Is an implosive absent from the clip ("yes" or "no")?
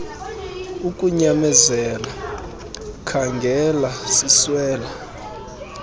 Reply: yes